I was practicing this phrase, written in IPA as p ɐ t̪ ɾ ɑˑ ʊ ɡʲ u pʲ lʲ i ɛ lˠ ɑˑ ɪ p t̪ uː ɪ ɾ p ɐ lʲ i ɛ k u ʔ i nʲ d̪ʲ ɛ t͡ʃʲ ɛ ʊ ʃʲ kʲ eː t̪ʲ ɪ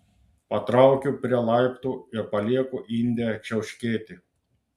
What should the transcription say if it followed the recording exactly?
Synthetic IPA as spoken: p ɐ t̪ ɾ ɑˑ ʊ kʲ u pʲ ɾʲ i ɛ lˠ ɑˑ ɪ p t̪ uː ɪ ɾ p ɐ lʲ i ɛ k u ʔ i nʲ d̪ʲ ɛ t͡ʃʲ ɛ ʊ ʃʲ kʲ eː t̪ʲ ɪ